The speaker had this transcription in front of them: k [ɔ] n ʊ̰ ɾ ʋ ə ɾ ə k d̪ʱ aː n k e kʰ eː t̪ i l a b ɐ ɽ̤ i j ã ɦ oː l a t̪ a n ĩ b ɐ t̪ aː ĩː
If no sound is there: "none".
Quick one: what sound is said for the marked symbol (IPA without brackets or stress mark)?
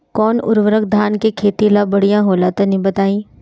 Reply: ɔː